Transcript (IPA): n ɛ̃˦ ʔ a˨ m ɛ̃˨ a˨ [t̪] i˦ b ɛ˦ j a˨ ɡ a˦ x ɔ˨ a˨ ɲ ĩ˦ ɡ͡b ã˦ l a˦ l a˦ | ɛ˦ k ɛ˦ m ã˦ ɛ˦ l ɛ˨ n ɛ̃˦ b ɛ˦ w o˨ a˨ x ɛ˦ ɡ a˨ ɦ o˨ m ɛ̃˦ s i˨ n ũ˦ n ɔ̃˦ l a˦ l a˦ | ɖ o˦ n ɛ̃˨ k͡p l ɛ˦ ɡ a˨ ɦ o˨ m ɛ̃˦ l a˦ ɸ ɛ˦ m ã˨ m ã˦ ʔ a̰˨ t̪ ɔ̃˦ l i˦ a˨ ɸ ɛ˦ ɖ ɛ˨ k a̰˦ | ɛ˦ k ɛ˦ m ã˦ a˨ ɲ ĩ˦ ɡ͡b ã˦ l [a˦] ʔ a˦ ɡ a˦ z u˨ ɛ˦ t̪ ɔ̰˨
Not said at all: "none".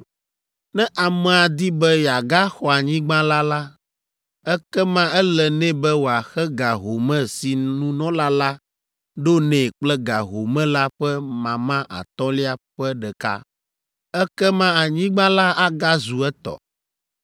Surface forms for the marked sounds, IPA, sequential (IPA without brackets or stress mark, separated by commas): d̪, a˦